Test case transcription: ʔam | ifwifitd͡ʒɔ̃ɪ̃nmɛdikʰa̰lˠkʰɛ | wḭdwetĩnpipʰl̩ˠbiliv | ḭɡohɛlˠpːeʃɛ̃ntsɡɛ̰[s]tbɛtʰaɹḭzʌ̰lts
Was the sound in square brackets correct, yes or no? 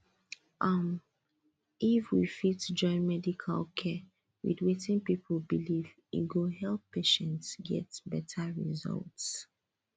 no